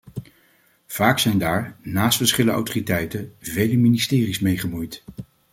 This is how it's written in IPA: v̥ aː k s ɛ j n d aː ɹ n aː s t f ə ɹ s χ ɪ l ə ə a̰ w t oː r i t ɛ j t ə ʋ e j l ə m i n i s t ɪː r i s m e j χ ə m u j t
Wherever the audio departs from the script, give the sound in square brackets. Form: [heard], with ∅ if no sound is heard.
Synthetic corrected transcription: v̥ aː k s ɛ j n d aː ɹ n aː s t f ə ɹ s χ ɪ l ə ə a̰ w t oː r i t ɛ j t ə [v] e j l ə m i n i s t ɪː r i s m e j χ ə m u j t